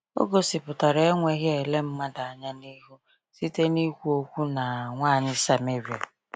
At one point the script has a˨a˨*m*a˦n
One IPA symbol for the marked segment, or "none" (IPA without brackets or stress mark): ɲ